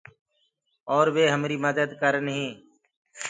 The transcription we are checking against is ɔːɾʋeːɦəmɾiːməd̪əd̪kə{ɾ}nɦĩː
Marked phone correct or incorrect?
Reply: correct